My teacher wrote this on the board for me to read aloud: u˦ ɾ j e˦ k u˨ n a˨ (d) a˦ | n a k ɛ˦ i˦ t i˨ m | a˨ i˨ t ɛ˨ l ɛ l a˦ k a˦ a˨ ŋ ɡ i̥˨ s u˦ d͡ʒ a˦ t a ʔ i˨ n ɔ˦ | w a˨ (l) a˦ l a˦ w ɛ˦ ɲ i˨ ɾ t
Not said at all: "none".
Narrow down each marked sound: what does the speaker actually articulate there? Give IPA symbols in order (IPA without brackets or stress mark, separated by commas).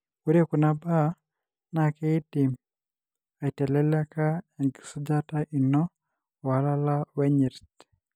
b, l